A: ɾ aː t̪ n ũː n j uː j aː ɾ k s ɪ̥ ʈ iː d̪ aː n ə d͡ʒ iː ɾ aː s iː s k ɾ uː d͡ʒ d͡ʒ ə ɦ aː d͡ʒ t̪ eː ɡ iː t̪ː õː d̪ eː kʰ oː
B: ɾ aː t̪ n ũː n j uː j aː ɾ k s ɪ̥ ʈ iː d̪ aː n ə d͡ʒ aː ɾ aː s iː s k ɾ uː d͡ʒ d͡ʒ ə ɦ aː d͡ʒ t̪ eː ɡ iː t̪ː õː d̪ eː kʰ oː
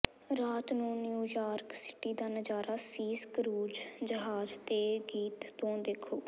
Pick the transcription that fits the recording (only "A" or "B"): B